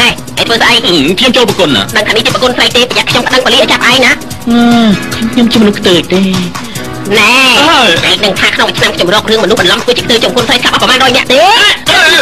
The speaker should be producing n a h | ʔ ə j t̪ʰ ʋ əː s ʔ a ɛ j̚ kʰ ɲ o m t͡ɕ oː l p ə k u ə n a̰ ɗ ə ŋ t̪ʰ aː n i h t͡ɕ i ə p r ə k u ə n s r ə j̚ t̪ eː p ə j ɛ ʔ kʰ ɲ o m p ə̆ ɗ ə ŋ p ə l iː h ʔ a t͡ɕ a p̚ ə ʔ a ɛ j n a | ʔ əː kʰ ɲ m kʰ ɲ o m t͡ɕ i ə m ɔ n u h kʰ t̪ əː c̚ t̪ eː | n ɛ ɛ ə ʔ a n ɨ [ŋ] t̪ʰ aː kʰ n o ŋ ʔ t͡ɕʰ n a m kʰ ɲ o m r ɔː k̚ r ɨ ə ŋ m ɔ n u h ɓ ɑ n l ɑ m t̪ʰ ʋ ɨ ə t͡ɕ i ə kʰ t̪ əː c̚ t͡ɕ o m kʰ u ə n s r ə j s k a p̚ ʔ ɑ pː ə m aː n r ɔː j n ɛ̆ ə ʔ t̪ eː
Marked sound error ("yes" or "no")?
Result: no